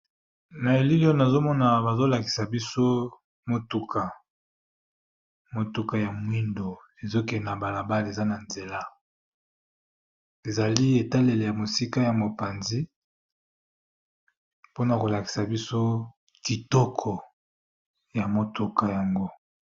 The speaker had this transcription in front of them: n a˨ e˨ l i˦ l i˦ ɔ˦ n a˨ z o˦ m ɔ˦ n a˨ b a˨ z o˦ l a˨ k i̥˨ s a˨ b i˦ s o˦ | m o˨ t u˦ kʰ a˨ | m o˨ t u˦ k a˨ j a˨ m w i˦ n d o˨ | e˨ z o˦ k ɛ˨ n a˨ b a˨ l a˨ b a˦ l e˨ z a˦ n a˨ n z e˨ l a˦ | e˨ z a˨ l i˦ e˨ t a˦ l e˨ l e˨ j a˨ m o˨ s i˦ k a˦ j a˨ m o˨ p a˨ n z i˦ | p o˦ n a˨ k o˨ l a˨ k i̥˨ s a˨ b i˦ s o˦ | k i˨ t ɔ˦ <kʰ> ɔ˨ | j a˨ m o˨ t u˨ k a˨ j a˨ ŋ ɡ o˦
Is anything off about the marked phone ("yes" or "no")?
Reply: no